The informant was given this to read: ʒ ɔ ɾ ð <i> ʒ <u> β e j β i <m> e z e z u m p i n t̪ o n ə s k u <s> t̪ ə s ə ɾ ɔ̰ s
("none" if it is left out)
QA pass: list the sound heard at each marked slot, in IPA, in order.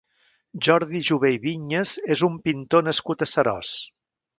i, u, ɲ, none

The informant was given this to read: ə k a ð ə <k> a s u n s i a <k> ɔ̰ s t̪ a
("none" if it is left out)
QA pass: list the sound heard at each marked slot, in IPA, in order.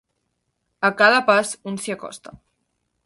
p, k

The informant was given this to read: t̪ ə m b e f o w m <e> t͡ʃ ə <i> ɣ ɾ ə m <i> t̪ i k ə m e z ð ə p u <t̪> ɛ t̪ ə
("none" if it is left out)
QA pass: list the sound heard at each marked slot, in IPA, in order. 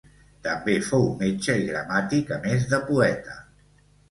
e, i, a, none

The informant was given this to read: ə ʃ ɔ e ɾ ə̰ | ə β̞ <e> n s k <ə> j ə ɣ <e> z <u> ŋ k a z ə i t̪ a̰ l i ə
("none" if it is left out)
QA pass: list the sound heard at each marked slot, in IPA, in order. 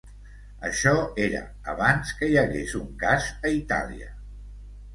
a, ə, e, u

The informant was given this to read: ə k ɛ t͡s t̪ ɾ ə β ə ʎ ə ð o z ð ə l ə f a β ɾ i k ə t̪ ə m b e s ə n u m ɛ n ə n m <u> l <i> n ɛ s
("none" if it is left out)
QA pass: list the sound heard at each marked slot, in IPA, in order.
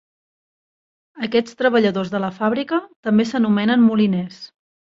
u, i

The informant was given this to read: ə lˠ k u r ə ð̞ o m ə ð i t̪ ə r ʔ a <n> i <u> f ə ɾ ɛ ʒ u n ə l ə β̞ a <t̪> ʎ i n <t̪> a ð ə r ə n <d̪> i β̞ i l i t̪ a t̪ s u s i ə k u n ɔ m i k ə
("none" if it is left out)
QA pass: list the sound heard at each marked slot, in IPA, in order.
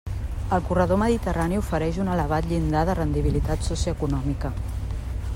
n, u, t̪, d̪, d̪

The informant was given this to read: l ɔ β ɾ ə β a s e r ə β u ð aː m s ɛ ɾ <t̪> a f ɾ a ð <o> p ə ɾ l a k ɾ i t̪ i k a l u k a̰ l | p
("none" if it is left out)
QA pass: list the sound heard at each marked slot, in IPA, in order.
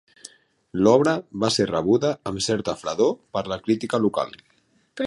t̪, o

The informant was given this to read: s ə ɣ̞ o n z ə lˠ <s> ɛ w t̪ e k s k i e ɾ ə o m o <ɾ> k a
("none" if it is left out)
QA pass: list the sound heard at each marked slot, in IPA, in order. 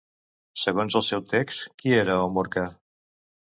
s, ɾ

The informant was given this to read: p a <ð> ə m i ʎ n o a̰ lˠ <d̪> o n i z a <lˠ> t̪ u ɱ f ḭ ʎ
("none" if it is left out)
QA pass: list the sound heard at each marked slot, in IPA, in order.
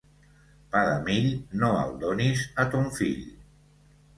ð, d̪, none

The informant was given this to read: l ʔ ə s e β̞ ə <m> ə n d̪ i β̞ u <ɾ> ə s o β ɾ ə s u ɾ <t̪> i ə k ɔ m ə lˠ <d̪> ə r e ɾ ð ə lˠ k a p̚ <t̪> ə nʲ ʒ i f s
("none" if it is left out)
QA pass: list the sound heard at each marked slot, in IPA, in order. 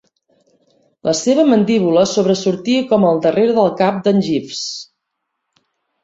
m, l, t̪, d̪, d̪

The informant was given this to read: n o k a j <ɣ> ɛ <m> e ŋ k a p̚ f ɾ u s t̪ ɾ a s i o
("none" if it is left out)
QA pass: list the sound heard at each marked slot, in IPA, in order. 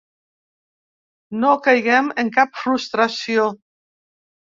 ɣ, m

